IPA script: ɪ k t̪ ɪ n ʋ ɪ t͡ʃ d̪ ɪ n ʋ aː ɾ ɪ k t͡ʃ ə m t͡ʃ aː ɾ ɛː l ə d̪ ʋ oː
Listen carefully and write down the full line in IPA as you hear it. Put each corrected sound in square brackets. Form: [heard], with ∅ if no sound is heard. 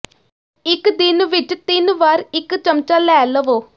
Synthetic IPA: ɪ k [d̪] ɪ n ʋ ɪ t͡ʃ [t̪] ɪ n ʋ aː ɾ ɪ k t͡ʃ ə m t͡ʃ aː [l] ɛː l ə [∅] ʋ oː